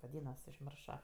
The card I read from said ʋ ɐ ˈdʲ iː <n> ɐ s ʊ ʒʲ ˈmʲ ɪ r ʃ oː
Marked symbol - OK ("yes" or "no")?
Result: yes